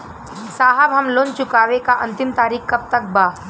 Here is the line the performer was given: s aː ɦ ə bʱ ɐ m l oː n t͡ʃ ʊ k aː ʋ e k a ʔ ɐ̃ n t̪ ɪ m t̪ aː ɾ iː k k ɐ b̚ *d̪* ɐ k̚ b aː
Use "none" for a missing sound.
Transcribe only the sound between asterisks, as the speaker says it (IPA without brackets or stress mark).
t̪